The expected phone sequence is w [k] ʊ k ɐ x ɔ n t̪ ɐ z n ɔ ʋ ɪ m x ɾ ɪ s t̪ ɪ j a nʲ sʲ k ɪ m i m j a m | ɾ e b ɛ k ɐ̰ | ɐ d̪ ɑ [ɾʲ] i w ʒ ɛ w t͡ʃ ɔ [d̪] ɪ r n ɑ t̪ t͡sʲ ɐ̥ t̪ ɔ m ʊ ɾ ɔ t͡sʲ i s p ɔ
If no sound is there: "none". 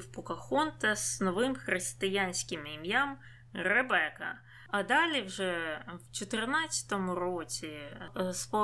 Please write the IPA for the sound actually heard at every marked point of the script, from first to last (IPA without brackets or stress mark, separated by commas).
p, lʲ, t̪